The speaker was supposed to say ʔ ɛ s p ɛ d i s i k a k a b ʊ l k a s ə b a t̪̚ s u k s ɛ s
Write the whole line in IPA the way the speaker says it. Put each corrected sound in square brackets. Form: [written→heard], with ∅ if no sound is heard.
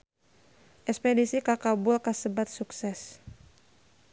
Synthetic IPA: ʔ ɛ s p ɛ d i s i k a k a b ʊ l k a s ə b a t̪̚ s u k s ɛ s